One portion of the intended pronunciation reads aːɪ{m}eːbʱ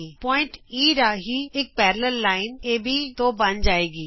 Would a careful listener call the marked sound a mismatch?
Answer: yes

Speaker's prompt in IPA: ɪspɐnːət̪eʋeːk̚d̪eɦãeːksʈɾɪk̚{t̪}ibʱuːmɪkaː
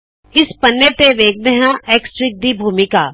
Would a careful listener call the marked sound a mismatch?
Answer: yes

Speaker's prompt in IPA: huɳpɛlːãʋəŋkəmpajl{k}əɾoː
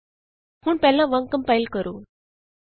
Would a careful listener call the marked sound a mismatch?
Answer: no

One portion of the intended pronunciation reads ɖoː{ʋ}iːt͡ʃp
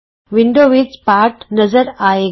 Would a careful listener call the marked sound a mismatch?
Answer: no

